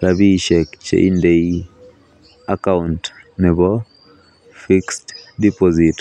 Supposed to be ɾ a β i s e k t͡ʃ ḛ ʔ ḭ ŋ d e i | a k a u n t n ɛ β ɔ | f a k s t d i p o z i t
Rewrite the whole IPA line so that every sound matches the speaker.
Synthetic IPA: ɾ a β i ʃ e k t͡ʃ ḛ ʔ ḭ n d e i | a k a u n t n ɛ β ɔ | f i k s t d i p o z i t

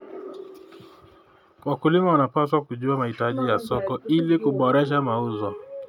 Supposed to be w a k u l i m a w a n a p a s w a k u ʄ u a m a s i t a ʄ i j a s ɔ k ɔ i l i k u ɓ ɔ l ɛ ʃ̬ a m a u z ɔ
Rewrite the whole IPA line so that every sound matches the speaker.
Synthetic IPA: w a k u l i m a w a n a p a s w a k u ʄ u a m a h i t a ʄ i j a s ɔ k ɔ i l i k u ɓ ɔ ɾ ɛ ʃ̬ a m a u z ɔ

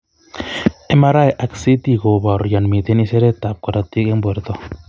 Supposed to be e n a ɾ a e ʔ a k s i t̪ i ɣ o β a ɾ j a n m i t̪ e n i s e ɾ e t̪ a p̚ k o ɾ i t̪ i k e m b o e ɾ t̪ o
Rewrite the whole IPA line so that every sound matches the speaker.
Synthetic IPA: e m a ɾ a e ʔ a k s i t̪ i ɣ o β a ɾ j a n m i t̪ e n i s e ɾ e t̪ a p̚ k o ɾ a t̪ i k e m b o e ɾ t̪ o

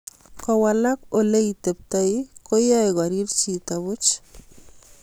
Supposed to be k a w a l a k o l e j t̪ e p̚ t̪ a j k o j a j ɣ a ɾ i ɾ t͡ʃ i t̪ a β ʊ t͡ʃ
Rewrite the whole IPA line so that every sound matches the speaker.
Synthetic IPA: k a w a l a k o l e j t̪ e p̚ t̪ a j k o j a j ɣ a ɾ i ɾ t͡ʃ i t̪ a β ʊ t͡ʃ

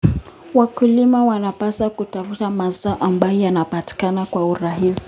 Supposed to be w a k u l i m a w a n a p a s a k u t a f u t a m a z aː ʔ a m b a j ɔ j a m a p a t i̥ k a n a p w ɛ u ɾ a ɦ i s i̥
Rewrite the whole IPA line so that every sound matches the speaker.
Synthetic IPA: w a k u l i m a w a n a p a s a k u t a f u t a m a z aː ʔ a m b a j ɔ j a n a p a t i̥ k a n a k w a u ɾ a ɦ i s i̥

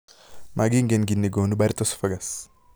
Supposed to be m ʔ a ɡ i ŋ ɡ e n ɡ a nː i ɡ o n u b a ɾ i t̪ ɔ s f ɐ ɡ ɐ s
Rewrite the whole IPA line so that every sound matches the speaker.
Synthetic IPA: m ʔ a ɡ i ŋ ɡ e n ɡ i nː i ɡ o n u b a ɾ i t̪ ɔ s f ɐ ɡ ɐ s

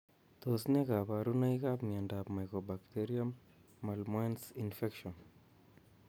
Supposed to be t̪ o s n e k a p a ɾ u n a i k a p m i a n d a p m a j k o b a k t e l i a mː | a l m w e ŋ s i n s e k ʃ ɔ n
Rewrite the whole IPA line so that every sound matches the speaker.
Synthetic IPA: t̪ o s n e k a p a ɾ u n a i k a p m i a n d a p m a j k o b a k t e ɾ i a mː | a l m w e n s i n f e k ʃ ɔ n

